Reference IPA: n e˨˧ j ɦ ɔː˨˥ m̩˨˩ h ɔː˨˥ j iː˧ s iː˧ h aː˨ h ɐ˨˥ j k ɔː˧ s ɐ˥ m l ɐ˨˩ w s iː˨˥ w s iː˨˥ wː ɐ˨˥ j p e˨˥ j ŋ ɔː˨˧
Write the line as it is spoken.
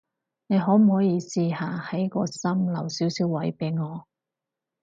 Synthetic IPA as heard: n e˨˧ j ɦ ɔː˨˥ m̩˨˩ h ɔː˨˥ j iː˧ s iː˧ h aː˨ h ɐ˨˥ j k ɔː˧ s ɐ˥ m l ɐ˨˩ w s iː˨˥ w s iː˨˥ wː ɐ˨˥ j p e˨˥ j ŋ ɔː˨˧